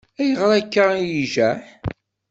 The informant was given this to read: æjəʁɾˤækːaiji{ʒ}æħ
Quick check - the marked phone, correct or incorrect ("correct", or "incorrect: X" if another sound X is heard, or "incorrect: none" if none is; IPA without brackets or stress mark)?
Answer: correct